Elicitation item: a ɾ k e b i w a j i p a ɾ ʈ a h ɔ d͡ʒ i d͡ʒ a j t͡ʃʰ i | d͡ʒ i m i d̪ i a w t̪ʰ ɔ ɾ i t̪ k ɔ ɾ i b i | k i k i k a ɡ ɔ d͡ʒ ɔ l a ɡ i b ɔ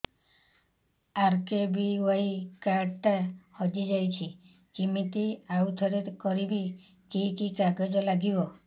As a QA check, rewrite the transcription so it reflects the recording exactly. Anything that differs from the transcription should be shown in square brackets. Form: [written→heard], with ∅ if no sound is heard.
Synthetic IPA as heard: a ɾ k e b i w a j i [p→k] a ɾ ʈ a h ɔ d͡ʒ i d͡ʒ a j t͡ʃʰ i | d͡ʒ i m i [d̪→t̪] i a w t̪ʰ ɔ ɾ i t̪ k ɔ ɾ i b i | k i k i k a ɡ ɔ d͡ʒ ɔ l a ɡ i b ɔ